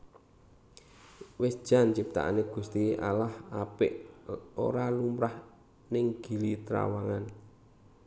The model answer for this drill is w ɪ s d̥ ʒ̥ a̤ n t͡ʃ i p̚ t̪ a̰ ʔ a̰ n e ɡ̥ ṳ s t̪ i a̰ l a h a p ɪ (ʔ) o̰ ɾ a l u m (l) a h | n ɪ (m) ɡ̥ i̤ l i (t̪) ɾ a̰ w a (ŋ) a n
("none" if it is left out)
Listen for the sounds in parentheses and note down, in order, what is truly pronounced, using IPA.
ʔ, ɾ, ŋ, t̪, ŋ

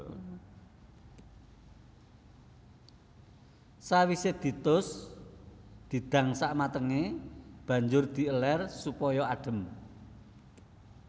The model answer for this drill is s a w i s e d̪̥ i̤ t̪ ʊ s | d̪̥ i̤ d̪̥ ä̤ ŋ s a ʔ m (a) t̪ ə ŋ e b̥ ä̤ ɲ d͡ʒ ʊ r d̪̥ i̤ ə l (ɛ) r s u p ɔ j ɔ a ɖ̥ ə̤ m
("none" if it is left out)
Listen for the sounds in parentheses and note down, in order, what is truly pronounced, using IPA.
a, ɛ

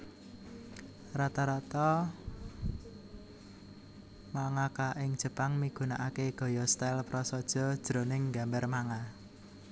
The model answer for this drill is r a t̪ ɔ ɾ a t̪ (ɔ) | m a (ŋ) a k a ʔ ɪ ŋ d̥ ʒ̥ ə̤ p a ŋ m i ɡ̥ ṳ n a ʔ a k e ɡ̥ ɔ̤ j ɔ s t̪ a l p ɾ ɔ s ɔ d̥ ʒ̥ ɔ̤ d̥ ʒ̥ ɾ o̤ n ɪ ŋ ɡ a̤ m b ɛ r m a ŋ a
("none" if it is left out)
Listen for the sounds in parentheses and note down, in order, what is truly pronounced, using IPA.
ɔ, ŋ

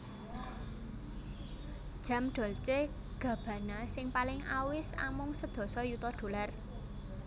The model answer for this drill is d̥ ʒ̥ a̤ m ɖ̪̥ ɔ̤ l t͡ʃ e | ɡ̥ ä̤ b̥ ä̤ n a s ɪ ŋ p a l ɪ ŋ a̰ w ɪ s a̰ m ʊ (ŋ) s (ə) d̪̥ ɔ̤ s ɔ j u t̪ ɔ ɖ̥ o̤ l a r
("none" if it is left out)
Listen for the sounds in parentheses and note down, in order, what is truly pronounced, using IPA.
ŋ, ə

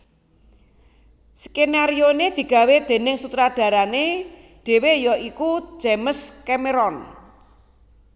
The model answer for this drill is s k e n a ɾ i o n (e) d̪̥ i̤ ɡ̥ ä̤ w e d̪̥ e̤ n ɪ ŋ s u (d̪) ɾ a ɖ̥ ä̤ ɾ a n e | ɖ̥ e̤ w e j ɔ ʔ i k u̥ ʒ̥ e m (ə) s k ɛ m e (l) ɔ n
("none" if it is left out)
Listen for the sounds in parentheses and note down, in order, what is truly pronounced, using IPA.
e, t̪, ə, ɾ

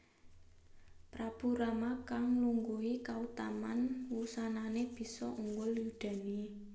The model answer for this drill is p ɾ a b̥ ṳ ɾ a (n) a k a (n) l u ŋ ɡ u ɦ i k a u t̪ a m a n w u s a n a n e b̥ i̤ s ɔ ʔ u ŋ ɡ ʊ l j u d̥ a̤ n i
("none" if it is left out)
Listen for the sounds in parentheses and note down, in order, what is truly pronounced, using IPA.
m, ŋ

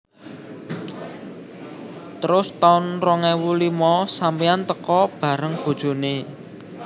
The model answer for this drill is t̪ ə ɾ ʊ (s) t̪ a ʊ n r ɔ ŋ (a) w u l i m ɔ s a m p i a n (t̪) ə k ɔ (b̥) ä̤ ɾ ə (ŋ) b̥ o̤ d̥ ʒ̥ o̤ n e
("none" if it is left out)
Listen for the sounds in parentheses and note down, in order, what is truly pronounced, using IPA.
s, ɛ, t̪, b̥, ŋ

